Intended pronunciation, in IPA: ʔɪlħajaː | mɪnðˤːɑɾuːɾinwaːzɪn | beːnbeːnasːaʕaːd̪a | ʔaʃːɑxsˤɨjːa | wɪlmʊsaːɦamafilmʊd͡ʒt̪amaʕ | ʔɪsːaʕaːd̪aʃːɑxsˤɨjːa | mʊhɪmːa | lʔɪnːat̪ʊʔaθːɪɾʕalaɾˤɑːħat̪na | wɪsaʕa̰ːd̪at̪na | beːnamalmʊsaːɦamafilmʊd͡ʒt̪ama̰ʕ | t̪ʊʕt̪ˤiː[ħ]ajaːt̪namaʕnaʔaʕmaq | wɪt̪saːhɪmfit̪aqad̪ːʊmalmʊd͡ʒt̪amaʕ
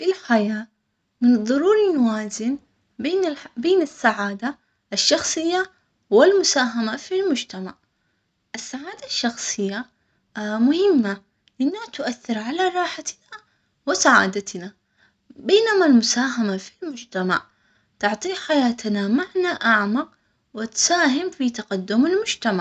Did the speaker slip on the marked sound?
no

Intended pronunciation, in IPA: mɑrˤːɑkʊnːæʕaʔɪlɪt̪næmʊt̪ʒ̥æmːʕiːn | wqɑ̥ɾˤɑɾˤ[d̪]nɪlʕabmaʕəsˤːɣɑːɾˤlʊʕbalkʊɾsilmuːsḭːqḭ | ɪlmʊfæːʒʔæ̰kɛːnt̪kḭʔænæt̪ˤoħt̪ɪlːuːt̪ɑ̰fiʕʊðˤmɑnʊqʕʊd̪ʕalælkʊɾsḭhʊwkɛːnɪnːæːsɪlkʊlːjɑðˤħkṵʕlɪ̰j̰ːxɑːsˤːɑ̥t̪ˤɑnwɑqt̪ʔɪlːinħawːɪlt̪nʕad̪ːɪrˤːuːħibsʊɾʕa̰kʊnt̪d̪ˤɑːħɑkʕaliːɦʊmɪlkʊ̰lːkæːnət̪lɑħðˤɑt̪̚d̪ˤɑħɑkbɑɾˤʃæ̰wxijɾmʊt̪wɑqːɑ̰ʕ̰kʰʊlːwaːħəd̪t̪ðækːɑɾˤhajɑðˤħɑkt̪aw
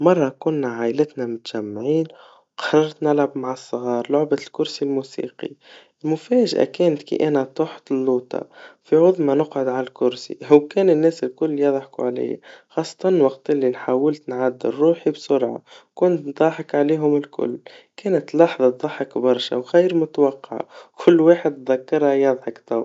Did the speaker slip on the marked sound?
yes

